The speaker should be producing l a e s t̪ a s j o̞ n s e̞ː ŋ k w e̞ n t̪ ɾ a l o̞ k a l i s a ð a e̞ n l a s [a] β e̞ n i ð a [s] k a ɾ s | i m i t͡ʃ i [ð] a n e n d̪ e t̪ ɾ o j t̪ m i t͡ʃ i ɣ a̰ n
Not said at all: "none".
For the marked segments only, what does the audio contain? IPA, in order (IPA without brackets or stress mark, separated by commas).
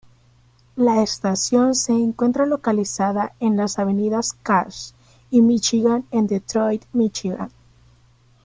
a, s, ɣ